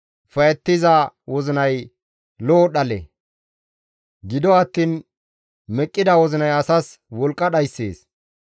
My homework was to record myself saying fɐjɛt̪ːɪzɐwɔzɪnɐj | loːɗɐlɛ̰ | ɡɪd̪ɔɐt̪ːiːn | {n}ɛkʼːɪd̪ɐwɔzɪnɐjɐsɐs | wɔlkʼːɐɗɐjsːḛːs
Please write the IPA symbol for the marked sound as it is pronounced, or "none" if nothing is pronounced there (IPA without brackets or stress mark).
m